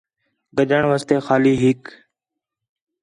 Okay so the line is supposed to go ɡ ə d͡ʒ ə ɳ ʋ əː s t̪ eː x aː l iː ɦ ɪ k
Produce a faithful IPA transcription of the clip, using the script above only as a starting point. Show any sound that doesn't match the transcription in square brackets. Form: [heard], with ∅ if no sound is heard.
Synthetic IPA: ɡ ə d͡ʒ ə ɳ ʋ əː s t̪ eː x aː l iː ɦ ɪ k